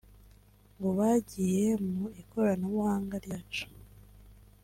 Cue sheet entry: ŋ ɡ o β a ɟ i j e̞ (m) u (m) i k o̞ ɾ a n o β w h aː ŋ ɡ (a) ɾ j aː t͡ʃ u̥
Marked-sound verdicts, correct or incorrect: correct, incorrect: none, correct

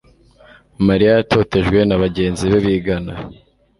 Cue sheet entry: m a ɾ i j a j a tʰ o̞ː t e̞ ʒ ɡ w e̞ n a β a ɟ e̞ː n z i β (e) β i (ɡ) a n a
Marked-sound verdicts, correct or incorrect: correct, correct

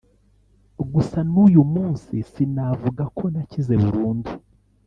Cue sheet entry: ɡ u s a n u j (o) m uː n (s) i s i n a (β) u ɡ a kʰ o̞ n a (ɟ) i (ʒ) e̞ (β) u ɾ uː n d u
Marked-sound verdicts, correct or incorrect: incorrect: u, correct, incorrect: v, incorrect: c, incorrect: z, correct

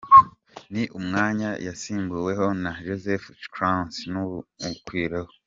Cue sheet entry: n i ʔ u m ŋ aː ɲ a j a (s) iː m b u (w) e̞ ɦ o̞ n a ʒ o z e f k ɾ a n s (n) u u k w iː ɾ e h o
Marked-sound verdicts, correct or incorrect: correct, correct, correct

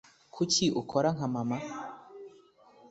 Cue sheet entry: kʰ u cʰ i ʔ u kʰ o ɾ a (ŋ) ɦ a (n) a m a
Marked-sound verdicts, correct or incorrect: correct, incorrect: m

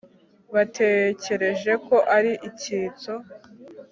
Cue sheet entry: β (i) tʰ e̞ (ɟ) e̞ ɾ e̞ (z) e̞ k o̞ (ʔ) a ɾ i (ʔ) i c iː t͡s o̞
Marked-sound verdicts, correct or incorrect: incorrect: a, incorrect: c, incorrect: ʒ, correct, correct

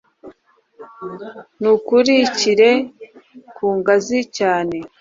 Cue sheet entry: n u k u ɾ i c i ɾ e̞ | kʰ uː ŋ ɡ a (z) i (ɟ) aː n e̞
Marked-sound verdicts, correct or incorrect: correct, incorrect: c

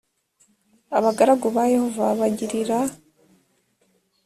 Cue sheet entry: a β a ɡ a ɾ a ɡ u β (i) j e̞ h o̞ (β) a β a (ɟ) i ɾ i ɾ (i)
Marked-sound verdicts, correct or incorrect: incorrect: a, incorrect: v, correct, incorrect: a

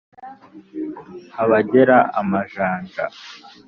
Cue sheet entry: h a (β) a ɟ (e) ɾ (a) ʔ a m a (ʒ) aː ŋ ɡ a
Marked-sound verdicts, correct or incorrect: correct, correct, correct, correct

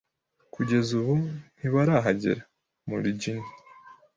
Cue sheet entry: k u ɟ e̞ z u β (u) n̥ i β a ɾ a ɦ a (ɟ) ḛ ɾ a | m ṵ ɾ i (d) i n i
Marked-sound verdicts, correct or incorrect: correct, correct, incorrect: ɟ

